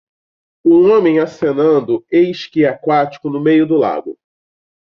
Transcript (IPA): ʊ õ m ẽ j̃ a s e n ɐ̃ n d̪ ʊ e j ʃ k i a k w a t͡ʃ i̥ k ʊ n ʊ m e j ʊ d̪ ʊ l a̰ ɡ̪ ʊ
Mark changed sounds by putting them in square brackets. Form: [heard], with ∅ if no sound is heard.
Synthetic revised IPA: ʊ õ m ẽ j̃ a s e n ɐ̃ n d̪ ʊ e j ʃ k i a k w a t͡ʃ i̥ k ʊ n ʊ m e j ʊ d̪ ʊ l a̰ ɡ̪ ʊ